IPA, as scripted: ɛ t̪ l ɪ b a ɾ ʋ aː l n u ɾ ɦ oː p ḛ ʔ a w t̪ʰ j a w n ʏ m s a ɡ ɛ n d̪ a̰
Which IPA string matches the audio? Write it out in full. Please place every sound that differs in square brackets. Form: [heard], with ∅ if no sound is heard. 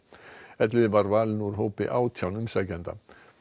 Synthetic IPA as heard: ɛ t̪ l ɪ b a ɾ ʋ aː l n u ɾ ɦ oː p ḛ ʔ a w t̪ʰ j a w n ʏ m s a ɡ ɛ n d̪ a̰